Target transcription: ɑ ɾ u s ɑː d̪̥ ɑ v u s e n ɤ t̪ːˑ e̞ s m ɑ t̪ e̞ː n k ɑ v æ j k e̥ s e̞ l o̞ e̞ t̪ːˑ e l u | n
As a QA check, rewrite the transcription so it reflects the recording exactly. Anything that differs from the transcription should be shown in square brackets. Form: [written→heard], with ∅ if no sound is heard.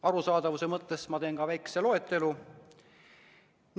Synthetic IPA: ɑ ɾ u s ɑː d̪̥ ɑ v u s e [n→m] ɤ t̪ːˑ e̞ s m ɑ t̪ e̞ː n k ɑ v æ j k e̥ s e̞ l o̞ e̞ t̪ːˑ e l u | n